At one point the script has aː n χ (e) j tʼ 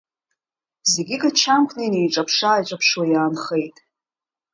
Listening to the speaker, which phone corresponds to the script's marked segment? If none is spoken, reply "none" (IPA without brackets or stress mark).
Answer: e